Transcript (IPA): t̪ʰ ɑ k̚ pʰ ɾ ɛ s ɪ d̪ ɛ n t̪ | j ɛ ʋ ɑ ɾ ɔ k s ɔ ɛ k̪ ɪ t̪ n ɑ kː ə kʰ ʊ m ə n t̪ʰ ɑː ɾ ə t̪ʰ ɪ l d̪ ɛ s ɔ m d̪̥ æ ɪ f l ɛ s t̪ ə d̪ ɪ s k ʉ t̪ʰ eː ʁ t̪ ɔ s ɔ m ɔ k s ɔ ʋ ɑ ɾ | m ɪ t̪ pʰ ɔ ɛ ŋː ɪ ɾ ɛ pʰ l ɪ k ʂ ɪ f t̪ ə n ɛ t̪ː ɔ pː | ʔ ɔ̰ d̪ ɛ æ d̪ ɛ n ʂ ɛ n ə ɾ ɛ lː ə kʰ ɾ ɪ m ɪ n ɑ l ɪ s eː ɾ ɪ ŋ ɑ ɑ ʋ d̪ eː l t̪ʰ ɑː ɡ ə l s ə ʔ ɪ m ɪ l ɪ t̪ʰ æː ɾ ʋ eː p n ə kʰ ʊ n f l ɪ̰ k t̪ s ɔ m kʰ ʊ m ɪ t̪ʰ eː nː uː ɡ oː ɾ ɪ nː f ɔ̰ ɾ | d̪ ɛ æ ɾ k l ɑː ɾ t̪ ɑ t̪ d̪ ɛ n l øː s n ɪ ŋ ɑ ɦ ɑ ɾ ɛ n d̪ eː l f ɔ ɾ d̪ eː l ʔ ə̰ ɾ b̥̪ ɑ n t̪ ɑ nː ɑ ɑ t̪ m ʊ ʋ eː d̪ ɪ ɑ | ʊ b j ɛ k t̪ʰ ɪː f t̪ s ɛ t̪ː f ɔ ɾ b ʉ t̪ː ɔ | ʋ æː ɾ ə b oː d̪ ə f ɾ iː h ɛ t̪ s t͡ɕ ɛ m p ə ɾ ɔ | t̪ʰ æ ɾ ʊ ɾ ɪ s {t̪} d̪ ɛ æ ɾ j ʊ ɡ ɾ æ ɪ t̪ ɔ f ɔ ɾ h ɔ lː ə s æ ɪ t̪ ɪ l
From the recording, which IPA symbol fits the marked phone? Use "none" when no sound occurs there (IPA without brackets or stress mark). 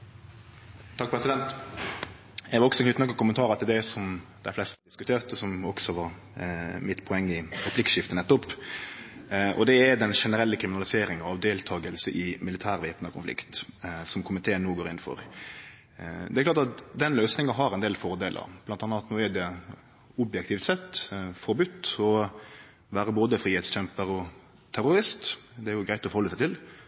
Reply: t̪